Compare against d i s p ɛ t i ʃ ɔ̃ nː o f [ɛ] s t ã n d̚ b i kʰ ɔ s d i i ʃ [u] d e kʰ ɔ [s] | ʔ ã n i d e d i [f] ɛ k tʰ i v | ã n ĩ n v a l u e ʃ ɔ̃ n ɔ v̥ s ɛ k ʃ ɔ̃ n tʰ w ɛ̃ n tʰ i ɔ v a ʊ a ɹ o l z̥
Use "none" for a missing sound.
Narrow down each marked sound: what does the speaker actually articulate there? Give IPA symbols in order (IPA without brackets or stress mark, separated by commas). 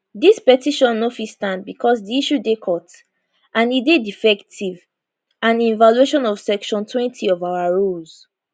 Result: i, u, t, f